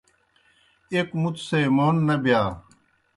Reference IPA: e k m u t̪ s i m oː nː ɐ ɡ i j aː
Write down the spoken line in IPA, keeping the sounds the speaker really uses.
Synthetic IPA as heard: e k m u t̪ s e m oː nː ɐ b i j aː